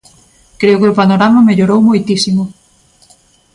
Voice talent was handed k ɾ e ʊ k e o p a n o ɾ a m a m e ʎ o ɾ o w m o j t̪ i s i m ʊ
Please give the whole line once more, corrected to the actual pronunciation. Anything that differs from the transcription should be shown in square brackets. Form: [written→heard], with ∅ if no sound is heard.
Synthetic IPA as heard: k ɾ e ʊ k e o p a n o ɾ a m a m e ʎ o ɾ o w m o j t̪ i s i m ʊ

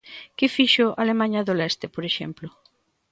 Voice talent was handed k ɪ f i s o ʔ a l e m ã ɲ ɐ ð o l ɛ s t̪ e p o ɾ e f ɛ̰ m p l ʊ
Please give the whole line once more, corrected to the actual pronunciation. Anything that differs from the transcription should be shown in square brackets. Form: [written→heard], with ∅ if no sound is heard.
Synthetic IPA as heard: k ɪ f i [s→ʃ] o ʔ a l e m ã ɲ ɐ ð o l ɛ s t̪ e p o ɾ e [f→ʃ] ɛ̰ m p l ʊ

